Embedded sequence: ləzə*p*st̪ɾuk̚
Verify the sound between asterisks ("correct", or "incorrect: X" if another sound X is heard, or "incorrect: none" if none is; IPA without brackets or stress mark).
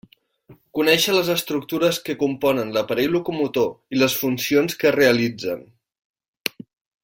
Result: incorrect: none